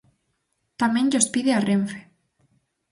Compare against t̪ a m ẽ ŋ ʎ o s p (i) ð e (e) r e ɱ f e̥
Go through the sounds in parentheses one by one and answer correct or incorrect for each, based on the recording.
correct, incorrect

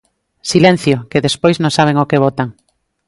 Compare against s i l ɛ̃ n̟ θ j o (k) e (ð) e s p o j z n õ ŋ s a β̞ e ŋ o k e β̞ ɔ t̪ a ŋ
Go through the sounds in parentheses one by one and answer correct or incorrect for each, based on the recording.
correct, correct

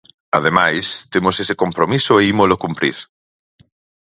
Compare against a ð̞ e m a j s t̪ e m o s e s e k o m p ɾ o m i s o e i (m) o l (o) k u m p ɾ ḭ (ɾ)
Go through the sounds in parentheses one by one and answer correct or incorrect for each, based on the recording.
correct, correct, correct

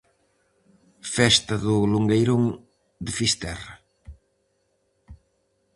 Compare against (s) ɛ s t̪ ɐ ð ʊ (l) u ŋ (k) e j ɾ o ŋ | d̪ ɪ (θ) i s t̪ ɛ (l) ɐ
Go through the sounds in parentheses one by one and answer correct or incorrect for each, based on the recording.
incorrect, correct, incorrect, incorrect, incorrect

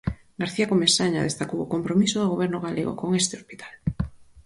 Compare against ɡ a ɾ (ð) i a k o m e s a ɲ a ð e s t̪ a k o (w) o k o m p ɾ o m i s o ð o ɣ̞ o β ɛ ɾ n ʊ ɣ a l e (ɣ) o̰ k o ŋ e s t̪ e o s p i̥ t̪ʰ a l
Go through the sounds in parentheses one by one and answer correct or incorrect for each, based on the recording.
incorrect, correct, correct

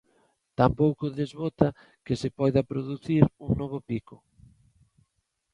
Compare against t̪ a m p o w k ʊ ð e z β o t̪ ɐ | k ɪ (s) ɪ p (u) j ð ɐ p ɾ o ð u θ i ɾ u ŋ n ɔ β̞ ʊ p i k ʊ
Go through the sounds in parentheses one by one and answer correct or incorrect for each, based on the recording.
correct, incorrect

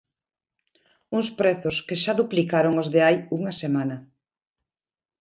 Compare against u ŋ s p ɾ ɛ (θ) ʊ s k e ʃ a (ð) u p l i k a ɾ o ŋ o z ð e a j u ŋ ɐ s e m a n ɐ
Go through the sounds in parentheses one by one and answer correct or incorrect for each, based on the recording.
correct, correct

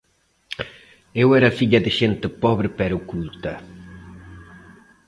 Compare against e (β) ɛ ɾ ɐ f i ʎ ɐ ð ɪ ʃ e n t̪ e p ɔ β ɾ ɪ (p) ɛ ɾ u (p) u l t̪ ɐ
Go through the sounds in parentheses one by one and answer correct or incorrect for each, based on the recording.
incorrect, correct, incorrect

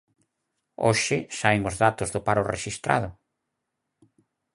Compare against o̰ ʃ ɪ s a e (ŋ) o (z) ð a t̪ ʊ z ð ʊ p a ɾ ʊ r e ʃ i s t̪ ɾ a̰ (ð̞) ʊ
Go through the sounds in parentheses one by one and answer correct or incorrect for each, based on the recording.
correct, correct, correct

